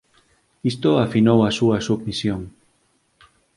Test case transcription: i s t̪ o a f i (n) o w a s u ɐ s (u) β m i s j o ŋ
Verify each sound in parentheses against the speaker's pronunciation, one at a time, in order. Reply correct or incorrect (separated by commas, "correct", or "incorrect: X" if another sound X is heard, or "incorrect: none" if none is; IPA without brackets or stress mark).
correct, correct